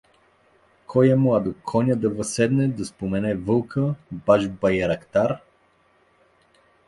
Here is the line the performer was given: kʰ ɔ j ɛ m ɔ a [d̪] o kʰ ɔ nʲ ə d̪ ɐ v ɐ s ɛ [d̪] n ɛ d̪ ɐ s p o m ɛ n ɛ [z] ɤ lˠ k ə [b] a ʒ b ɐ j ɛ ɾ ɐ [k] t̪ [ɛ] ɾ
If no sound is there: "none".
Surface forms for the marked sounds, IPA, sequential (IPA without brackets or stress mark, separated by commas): d̪, d̪, v, b, k, a